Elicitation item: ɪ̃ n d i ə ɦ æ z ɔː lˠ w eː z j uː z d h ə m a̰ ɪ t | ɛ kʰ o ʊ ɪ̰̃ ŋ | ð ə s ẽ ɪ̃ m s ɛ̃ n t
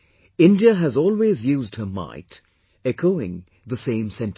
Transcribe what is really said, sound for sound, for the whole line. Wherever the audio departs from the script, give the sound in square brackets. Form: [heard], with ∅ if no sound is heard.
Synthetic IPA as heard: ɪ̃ n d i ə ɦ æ z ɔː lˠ w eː z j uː z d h ə m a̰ ɪ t | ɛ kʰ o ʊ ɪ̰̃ ŋ | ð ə s ẽ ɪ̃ m s ɛ̃ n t